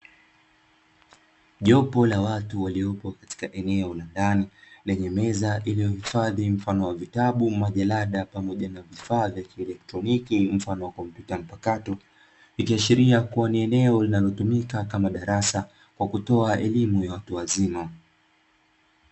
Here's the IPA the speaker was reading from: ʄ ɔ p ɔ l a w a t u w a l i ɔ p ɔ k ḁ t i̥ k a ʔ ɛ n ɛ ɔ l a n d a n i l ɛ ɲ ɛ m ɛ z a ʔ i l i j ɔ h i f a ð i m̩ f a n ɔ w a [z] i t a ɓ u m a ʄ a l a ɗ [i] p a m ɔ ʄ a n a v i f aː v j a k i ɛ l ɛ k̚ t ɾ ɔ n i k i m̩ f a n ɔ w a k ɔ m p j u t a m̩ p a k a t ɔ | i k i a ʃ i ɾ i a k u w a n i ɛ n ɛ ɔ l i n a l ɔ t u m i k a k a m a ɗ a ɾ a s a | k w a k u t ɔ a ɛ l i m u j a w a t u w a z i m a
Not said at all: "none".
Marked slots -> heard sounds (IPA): v, a

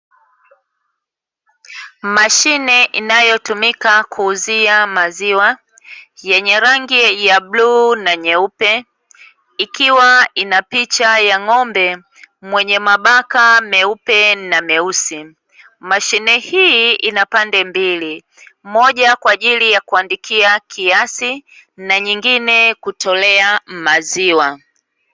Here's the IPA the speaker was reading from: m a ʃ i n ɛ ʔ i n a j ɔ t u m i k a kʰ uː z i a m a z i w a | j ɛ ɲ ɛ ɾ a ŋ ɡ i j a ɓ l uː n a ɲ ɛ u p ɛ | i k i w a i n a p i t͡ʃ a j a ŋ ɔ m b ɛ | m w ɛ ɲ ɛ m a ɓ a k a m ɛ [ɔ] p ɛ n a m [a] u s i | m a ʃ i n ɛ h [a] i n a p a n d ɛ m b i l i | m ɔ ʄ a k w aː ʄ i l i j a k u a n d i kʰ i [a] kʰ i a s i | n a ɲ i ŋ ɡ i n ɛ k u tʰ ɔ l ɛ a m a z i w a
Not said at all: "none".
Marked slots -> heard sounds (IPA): u, ɛ, i, a

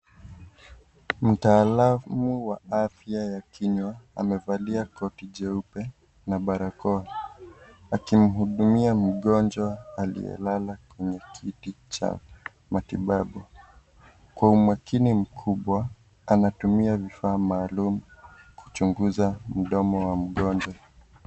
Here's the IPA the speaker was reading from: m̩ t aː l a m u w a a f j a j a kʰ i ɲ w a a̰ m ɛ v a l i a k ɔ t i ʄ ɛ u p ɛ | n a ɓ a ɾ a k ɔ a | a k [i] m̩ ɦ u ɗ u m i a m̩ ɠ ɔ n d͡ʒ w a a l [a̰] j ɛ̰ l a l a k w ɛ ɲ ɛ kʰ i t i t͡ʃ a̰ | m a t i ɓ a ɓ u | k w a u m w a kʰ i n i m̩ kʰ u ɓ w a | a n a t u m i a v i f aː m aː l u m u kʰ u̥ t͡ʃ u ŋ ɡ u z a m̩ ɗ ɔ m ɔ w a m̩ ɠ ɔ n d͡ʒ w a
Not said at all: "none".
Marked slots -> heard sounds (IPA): i, ḭ

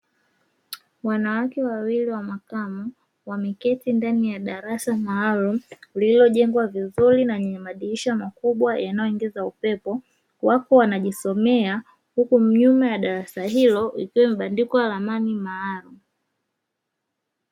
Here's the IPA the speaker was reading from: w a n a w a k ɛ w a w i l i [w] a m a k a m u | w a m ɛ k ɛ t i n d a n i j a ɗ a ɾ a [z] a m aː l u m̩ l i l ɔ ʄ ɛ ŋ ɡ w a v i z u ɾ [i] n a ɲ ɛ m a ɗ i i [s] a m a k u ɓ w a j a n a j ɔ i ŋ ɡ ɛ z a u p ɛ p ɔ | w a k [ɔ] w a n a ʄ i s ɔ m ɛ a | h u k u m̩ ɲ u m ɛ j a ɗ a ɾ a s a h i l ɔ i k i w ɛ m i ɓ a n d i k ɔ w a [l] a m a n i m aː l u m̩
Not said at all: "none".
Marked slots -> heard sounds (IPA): w, s, i, ʃ, ɔ, l

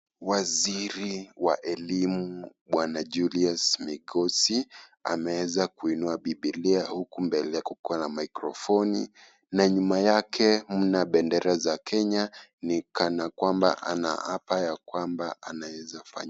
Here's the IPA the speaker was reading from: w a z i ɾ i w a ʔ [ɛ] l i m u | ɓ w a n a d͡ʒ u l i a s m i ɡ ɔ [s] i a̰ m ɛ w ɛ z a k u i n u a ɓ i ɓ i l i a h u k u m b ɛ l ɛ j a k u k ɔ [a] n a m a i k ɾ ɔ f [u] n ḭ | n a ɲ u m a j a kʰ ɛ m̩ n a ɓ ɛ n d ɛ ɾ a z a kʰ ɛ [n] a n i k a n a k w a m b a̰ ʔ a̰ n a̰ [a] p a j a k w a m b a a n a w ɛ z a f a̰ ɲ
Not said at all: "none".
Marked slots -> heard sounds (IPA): ɛ, s, a, ɔ, ɲ, a

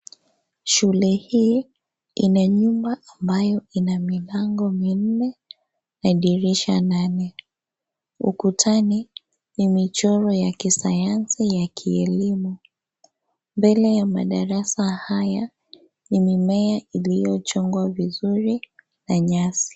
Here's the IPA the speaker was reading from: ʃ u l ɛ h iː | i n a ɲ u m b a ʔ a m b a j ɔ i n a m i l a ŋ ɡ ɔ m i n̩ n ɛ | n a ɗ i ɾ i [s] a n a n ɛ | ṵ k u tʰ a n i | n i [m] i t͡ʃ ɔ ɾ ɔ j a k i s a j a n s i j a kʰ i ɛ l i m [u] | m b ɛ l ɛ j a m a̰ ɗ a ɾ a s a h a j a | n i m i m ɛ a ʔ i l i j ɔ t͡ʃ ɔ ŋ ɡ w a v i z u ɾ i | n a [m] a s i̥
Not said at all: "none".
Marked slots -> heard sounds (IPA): ʃ, m, u, ɲ

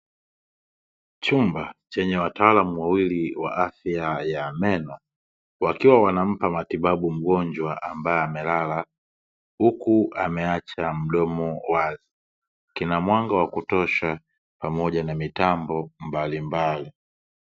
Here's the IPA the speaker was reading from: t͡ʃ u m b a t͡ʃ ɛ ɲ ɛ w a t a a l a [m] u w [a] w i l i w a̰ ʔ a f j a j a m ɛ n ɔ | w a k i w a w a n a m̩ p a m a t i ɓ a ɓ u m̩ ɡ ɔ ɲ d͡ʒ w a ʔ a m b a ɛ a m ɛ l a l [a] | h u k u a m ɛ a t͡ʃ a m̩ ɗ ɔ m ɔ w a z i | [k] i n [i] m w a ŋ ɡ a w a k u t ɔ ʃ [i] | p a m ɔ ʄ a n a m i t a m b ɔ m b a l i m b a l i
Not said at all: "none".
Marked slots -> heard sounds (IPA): m, a, a, k, a, a

